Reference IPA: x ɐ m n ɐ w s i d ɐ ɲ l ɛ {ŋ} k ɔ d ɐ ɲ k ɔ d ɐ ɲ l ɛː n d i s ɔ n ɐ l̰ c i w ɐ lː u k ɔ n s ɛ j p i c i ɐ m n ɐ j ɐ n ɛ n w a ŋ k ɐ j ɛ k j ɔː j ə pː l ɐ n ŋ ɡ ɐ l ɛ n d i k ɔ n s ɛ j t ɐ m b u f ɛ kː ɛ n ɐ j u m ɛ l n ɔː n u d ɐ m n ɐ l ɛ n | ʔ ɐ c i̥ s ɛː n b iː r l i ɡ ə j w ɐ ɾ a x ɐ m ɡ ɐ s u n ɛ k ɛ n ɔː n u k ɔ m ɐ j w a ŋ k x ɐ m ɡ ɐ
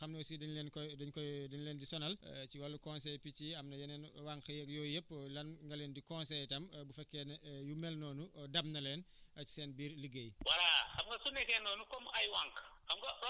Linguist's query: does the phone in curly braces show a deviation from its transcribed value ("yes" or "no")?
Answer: yes